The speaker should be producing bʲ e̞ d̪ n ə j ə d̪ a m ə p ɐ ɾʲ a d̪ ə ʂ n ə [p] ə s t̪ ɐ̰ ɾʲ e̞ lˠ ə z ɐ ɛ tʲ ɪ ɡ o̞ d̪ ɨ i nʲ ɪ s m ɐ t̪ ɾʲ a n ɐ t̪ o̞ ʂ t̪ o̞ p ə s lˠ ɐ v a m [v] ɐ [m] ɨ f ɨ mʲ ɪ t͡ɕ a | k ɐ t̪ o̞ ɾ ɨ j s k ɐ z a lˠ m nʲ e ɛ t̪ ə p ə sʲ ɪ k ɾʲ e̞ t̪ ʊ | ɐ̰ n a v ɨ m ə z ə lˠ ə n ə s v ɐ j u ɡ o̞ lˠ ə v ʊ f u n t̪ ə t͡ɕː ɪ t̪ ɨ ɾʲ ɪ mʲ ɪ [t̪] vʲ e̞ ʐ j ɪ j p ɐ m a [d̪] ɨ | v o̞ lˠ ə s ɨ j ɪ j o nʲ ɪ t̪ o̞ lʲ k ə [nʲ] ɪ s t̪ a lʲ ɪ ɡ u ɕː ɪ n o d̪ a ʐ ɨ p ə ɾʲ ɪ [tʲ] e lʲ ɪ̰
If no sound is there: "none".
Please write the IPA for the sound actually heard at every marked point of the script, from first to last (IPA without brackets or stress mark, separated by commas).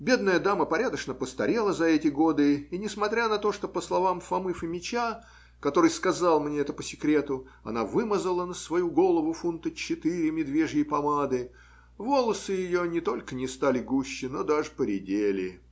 p, f, m, d̪, d̪, nʲ, dʲ